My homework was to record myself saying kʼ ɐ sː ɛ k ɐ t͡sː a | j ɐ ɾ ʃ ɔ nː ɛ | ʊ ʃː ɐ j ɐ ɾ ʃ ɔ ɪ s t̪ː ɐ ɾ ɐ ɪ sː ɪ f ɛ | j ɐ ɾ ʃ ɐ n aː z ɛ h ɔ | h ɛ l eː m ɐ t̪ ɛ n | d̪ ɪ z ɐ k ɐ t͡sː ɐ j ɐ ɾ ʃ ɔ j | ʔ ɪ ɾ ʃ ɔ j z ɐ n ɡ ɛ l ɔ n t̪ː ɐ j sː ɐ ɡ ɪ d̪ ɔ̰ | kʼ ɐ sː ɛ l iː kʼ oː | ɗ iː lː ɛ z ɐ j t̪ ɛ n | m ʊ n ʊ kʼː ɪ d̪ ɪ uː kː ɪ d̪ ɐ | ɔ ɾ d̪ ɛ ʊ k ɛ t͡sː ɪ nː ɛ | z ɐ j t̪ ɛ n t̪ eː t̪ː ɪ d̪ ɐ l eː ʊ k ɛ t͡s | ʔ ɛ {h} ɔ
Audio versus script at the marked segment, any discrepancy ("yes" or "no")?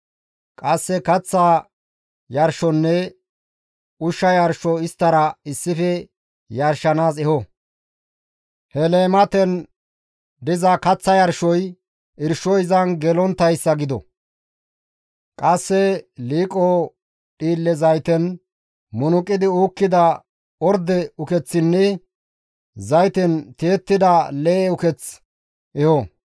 no